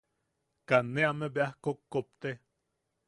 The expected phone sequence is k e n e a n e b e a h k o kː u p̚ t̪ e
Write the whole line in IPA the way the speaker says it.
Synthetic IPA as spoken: k a n e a m e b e a h k o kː o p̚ t̪ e